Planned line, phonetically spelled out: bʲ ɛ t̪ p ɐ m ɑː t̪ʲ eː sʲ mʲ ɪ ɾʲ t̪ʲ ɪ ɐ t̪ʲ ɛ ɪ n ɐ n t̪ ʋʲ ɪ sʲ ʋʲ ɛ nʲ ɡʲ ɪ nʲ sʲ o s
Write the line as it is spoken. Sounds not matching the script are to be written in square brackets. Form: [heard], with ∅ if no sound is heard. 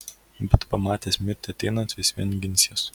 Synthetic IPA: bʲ ɛ t̪ p ɐ m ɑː t̪ʲ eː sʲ mʲ ɪ ɾʲ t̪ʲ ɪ ɐ t̪ʲ ɛ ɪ n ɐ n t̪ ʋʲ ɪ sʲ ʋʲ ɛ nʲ ɡʲ ɪ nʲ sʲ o s